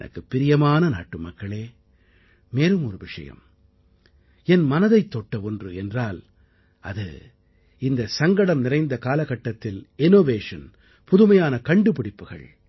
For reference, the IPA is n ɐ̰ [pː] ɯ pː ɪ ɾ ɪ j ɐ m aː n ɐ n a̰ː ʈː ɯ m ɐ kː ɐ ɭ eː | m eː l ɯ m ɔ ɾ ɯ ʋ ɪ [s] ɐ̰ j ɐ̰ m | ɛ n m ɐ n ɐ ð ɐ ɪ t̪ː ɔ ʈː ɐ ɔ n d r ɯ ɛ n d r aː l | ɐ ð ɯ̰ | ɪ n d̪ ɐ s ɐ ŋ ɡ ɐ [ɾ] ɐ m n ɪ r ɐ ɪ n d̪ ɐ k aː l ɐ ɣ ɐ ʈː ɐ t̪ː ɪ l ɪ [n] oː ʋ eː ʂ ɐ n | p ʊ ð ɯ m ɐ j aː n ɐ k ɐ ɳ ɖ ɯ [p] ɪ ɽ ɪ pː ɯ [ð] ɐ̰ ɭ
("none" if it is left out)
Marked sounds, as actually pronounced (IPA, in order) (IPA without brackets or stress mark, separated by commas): kː, ʂ, ɽ, n, p, ɣ